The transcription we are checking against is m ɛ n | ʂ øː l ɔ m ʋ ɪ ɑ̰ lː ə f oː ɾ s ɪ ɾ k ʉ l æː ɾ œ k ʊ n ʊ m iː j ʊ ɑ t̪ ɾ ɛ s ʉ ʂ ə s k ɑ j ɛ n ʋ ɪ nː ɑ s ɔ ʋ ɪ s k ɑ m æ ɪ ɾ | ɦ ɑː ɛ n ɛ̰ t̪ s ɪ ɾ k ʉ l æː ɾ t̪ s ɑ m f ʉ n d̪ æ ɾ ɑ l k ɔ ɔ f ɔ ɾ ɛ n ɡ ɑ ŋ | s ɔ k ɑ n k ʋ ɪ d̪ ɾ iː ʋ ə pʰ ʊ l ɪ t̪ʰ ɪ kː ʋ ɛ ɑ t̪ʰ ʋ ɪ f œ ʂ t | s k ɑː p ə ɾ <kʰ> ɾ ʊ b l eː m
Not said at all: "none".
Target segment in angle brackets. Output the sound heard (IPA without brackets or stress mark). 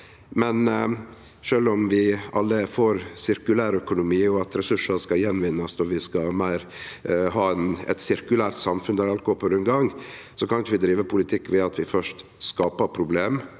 pʰ